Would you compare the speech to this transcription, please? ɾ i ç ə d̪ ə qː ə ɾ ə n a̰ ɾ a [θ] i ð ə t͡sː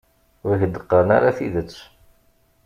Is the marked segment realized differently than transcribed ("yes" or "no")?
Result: no